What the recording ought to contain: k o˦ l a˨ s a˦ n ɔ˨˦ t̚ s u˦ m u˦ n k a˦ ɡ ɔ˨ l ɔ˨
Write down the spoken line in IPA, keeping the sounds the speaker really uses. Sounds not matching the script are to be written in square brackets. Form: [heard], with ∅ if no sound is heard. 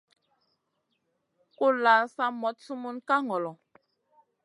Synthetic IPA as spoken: k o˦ l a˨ s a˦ [m] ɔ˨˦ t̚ s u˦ m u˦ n k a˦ [ŋ] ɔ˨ l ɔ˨